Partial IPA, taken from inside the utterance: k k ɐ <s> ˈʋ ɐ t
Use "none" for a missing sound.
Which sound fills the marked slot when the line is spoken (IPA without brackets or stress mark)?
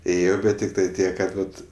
t